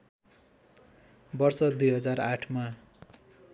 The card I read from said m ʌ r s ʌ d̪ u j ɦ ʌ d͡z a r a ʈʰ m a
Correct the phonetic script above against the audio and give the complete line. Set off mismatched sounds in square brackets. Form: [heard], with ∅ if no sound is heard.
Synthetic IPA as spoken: [b] ʌ r s ʌ d̪ u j ɦ ʌ d͡z a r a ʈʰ m a